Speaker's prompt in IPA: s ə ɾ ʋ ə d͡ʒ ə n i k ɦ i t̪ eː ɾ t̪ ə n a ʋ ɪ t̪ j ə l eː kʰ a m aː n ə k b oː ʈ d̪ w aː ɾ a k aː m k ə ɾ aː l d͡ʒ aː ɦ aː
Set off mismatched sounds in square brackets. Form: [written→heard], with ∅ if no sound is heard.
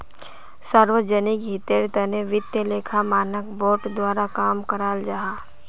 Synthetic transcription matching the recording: s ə ɾ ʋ ə d͡ʒ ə n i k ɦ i t̪ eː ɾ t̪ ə n [a→e] ʋ ɪ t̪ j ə l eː kʰ a m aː n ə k b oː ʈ d̪ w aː ɾ a k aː m k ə ɾ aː l d͡ʒ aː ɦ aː